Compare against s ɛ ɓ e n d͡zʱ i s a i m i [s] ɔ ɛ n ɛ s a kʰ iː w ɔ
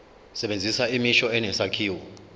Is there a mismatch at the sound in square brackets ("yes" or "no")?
yes